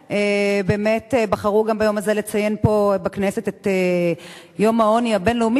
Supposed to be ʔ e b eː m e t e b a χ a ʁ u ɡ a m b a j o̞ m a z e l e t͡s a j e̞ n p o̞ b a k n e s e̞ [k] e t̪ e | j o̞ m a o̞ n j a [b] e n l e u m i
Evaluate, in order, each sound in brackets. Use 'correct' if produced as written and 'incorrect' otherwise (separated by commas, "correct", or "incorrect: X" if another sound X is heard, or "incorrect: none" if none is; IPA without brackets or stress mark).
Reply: incorrect: t, correct